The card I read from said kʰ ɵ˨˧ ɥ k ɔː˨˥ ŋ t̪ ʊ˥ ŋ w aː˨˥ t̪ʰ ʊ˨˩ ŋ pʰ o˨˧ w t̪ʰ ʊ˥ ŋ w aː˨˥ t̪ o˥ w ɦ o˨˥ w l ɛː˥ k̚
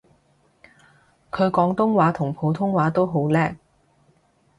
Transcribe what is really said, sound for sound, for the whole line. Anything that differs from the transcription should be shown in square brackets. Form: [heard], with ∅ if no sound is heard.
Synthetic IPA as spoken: kʰ ɵ˨˧ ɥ k ɔː˨˥ ŋ t̪ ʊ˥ ŋ w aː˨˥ t̪ʰ ʊ˨˩ ŋ pʰ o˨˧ w t̪ʰ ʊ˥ ŋ w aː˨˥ t̪ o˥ w ɦ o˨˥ w l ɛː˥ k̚